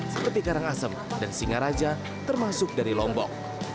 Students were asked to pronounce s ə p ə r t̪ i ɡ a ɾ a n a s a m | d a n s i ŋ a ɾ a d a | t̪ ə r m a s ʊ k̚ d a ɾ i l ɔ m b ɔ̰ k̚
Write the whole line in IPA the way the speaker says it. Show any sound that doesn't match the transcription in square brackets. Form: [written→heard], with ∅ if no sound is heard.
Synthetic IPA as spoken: s ə p ə r t̪ i [ɡ→k] a ɾ a [n→ŋ] a s [a→ə] m | d a n s i ŋ a ɾ a [d→d͡ʒ] a | t̪ ə r m a s ʊ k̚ d a ɾ i l ɔ m b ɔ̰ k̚

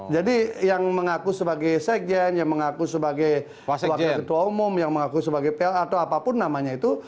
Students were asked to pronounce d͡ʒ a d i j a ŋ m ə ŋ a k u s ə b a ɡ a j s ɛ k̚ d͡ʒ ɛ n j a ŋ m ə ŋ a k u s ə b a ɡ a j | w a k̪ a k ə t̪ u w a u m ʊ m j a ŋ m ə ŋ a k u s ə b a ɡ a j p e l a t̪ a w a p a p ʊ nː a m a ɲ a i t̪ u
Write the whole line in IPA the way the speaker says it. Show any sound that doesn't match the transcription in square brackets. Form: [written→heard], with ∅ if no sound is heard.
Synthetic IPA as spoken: d͡ʒ a d i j a ŋ m ə ŋ a k u s ə b a ɡ a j s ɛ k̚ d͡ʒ ɛ n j a ŋ m ə ŋ a k u s ə b a ɡ a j | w a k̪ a k ə t̪ u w a u m ʊ m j a ŋ m ə ŋ a k u s ə b a ɡ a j p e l a t̪ a w a p a p ʊ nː a m a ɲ a i t̪ u

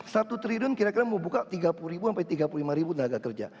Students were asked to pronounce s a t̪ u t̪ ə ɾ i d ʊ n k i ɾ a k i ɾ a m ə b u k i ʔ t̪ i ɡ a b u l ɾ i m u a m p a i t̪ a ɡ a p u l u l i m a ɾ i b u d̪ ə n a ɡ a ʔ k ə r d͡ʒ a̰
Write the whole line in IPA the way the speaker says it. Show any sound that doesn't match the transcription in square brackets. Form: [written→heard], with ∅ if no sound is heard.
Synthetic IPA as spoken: s a t̪ u t̪ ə ɾ i d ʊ n k i ɾ a k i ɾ a m ə b u k [i→a] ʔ t̪ i ɡ a [b→p] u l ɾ i [m→b] u a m p a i t̪ [a→i] ɡ a p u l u l i m a ɾ i b u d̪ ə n a ɡ a [ʔ→∅] k ə r d͡ʒ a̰

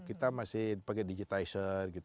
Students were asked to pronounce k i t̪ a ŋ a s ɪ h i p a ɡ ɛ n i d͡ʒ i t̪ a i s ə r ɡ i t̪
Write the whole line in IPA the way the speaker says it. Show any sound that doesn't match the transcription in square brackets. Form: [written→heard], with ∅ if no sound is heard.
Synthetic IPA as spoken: k i t̪ a [ŋ→m] a s ɪ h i p a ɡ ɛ [n→d] i d͡ʒ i t̪ a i s ə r ɡ i t̪

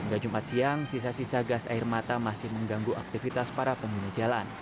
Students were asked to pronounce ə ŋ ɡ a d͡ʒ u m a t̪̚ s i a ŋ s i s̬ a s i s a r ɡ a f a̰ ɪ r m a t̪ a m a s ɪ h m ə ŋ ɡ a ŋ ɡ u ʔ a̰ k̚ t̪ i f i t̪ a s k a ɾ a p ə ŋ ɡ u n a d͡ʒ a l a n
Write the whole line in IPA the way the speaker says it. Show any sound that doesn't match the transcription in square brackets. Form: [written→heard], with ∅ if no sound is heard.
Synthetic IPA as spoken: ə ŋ ɡ a d͡ʒ u m a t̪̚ s i a ŋ s i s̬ a s i s a [r→∅] ɡ a [f→s] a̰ ɪ r m a t̪ a m a s ɪ h m ə ŋ ɡ a ŋ ɡ u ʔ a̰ k̚ t̪ i f i t̪ a s [k→p] a ɾ a p ə ŋ ɡ u n a d͡ʒ a l a n

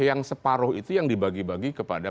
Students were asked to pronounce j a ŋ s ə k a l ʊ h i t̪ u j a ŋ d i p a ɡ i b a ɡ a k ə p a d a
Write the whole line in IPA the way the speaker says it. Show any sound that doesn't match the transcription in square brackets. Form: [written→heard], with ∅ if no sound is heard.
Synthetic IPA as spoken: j a ŋ s ə [k→p] a [l→ɾ] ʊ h i t̪ u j a ŋ d i [p→b] a ɡ i b a ɡ [a→i] k ə p a d a

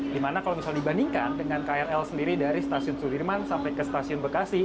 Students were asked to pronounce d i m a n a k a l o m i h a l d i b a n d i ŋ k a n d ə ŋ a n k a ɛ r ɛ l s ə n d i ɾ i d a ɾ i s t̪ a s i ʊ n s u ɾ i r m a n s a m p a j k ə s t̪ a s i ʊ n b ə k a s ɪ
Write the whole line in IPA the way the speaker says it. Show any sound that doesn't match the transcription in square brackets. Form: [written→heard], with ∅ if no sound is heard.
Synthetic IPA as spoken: d i m a n a k a l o m i [h→s] a l d i b a n d i ŋ k a n d ə ŋ a n k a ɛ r ɛ l s ə n d i ɾ i d a ɾ i s t̪ a s i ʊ n s u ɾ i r m a n s a m p a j k ə s t̪ a s i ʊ n b ə k a s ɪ

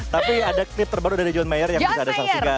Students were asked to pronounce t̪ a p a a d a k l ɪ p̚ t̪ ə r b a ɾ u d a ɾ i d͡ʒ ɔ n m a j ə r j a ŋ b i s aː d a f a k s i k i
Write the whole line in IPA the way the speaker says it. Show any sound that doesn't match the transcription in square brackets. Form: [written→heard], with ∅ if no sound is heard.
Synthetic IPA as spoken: t̪ a p [a→i] a d a k l ɪ p̚ t̪ ə r b a ɾ u d a ɾ i d͡ʒ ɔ n m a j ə r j a ŋ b i s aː d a [f→s] a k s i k [i→a]

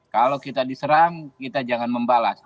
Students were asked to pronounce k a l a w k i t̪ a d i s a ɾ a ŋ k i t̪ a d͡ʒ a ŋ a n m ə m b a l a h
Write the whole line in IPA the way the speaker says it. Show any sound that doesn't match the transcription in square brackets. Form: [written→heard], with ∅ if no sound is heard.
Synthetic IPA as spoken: k a l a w k i t̪ a d i s [a→ə] ɾ a ŋ k i t̪ a d͡ʒ a ŋ a n m ə m b a l a [h→s]

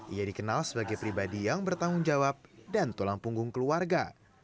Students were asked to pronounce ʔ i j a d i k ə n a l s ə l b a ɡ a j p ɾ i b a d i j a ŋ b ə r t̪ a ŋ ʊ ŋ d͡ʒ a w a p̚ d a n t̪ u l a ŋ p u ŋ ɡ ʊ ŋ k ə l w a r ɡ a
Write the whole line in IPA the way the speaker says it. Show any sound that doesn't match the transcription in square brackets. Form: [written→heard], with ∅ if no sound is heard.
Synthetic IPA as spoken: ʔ i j a d i k ə n a l s ə [l→∅] b a ɡ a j p ɾ i b a d i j a ŋ b ə r t̪ a ŋ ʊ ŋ d͡ʒ a w a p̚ d a n t̪ u l a ŋ p u ŋ ɡ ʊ ŋ k ə l [w→u] a r ɡ a

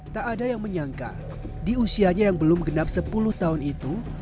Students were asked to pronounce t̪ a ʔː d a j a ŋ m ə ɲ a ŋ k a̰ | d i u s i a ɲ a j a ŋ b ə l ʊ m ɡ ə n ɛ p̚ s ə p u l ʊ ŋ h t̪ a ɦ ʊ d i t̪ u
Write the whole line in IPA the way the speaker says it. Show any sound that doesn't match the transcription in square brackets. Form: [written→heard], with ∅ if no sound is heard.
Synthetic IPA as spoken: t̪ a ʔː d a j a ŋ m ə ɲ a ŋ k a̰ | d i u s i a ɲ a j a ŋ b ə l ʊ m ɡ ə n [ɛ→a] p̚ s ə p u l ʊ [ŋ→∅] h t̪ a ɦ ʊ [d→n] i t̪ u

